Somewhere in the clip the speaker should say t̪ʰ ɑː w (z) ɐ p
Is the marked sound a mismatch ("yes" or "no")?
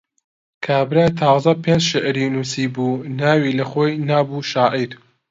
no